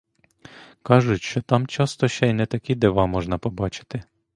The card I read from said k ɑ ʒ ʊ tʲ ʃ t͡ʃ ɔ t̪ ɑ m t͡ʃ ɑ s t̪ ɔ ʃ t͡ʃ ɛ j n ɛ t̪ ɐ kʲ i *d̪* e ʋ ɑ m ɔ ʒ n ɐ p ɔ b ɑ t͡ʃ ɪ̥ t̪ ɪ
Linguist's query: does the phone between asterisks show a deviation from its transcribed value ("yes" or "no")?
no